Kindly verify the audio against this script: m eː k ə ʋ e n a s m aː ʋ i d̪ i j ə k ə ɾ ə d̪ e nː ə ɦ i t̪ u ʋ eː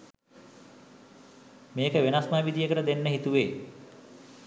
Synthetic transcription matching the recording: m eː k ə ʋ e n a s m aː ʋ i d̪ i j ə k ə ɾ ə d̪ e nː ə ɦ i t̪ u ʋ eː

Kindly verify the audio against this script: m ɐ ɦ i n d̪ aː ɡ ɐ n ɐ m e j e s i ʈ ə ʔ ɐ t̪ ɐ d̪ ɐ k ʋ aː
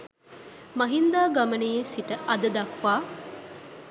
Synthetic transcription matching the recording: m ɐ ɦ i n d̪ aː ɡ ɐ m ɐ n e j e s i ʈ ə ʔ ɐ d̪ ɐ d̪ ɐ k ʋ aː

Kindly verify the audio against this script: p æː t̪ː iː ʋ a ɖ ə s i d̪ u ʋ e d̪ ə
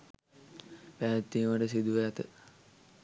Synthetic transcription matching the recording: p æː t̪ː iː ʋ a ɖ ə s i d̪ u ʋ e t̪ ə

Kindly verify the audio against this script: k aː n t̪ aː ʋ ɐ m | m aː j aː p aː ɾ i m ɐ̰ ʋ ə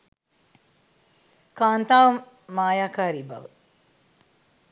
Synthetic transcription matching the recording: k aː n t̪ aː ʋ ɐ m | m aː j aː k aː ɾ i b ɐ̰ ʋ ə

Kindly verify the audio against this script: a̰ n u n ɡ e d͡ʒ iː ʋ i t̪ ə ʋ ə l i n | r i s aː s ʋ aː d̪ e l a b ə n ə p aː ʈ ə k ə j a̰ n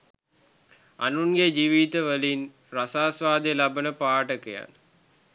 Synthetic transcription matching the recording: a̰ n u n ɡ e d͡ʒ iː ʋ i t̪ ə ʋ ə l i n | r a s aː s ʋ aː d̪ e l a b ə n ə p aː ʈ ə k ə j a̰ n

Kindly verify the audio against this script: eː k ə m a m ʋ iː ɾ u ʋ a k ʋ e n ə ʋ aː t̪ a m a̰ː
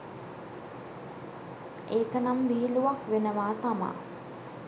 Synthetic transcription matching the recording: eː k ə n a m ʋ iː l u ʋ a k ʋ e n ə ʋ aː t̪ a m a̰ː

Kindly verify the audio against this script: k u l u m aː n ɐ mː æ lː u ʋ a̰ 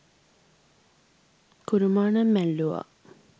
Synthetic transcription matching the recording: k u ɾ u m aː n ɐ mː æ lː u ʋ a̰

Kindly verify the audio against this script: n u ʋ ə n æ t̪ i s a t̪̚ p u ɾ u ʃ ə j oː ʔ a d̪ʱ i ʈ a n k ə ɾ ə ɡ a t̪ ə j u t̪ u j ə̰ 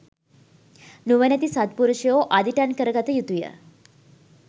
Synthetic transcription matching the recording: n u ʋ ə n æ t̪ i s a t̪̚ p u ɾ u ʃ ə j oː ʔ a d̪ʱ i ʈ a n k ə ɾ ə ɡ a t̪ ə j u t̪ u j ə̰

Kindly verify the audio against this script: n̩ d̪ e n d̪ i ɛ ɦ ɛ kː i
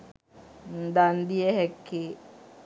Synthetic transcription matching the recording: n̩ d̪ a n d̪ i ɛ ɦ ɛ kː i

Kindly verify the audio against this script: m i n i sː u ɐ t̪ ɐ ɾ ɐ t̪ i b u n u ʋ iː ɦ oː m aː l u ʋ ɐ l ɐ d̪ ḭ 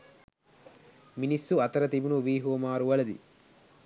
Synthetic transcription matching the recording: m i n i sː u ɐ t̪ ɐ ɾ ɐ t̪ i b u n u ʋ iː ɦ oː m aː ɾ u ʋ ɐ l ɐ d̪ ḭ

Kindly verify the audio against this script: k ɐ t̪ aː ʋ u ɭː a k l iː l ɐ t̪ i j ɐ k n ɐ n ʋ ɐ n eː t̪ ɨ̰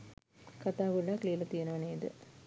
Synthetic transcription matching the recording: k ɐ t̪ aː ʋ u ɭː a k l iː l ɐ t̪ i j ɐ n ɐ ʋ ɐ n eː d̪ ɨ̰

